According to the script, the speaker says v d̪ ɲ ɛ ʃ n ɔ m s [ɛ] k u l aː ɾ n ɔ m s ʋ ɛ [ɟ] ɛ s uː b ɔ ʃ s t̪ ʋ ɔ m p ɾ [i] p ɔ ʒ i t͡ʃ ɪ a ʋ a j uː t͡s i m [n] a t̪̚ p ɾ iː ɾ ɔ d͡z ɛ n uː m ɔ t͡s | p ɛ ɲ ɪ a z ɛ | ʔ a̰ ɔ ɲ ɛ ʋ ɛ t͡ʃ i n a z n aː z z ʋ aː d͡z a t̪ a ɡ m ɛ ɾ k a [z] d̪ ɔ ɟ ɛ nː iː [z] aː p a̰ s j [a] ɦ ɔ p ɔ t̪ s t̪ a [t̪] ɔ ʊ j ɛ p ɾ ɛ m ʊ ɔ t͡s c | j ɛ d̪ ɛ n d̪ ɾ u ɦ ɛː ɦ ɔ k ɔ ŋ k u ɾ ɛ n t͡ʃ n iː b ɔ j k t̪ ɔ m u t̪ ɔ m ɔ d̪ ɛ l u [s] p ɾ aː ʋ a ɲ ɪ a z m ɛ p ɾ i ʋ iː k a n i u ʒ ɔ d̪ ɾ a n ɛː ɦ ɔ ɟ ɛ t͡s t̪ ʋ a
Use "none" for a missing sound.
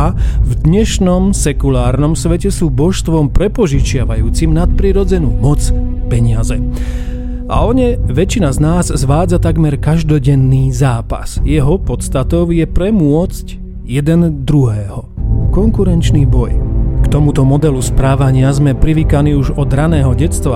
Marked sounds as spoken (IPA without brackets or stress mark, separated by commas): ɛ, c, ɛ, n, ʒ, z, ɛ, t̪, s